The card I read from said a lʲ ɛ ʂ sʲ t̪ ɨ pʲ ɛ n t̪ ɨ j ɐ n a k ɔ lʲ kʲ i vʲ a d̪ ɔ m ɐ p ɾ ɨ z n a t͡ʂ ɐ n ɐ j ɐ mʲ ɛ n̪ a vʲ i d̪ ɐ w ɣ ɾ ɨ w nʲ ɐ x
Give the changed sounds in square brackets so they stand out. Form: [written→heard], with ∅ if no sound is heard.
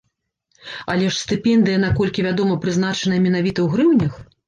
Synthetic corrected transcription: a lʲ ɛ ʂ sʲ t̪ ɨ pʲ ɛ n [t̪→d̪] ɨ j ɐ n a k ɔ lʲ kʲ i vʲ a d̪ ɔ m ɐ p ɾ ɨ z n a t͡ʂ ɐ n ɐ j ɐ mʲ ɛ n̪ a vʲ i [d̪→t̪] ɐ w ɣ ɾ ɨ w nʲ ɐ x